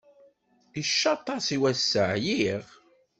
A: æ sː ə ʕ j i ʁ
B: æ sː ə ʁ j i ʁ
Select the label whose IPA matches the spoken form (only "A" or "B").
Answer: A